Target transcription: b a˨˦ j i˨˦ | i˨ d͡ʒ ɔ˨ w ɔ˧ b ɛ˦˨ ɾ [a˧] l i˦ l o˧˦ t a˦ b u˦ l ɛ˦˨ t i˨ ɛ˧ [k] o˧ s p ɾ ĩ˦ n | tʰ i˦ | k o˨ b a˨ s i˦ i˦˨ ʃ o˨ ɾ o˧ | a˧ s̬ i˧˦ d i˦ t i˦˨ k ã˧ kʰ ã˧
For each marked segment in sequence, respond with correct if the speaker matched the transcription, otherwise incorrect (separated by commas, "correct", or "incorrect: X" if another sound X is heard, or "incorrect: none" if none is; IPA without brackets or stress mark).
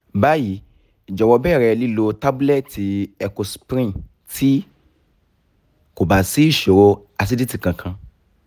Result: incorrect: ɛ˧, correct